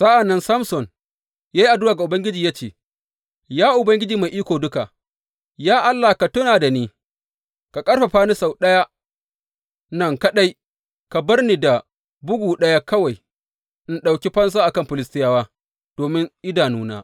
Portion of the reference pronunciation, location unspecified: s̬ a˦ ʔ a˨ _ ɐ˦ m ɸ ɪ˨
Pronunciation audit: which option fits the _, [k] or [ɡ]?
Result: k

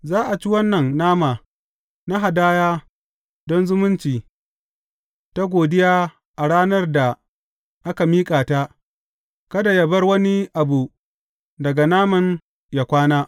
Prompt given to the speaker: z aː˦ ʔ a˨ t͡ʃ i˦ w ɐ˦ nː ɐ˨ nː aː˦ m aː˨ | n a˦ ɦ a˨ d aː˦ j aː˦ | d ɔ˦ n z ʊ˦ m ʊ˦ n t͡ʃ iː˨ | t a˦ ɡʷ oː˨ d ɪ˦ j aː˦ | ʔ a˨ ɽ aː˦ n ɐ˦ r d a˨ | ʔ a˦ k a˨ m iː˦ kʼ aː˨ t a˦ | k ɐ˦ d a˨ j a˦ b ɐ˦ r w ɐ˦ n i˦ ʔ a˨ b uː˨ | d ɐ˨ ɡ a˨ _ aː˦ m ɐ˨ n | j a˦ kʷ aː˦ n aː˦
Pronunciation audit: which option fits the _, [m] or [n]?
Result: n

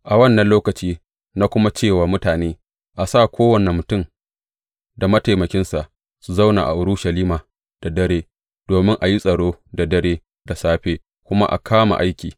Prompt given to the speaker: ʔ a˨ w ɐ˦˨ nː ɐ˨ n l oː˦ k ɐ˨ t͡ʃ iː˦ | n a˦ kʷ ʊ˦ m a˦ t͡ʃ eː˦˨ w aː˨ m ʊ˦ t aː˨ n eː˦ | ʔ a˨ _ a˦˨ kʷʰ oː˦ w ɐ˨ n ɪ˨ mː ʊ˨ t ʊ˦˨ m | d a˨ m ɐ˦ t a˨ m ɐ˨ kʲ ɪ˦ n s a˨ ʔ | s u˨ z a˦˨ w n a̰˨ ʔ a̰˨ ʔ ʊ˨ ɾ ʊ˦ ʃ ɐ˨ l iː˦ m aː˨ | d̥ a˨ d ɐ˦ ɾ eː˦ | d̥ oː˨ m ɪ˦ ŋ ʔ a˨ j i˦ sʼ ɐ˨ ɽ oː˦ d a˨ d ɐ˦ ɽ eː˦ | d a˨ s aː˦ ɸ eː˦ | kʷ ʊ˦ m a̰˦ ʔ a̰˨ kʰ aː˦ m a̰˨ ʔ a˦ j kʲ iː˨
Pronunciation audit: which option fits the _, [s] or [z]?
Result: s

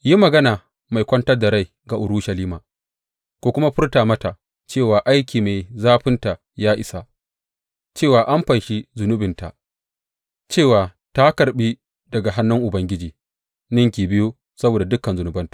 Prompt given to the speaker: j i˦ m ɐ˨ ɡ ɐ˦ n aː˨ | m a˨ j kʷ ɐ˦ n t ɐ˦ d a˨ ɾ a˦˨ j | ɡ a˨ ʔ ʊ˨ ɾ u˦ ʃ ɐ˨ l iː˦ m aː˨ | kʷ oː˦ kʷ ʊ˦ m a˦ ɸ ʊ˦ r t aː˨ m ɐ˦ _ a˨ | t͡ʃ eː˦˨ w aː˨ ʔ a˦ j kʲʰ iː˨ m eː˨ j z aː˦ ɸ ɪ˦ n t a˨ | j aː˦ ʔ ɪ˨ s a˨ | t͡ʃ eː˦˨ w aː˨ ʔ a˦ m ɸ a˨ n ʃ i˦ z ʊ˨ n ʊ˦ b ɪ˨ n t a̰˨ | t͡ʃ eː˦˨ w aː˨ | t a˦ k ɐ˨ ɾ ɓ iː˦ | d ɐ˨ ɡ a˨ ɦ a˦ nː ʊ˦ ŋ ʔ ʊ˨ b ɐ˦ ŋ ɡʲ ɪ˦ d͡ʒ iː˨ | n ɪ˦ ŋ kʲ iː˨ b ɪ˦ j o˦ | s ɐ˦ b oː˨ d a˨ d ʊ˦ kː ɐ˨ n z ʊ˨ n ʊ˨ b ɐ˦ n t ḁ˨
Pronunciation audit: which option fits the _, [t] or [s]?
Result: t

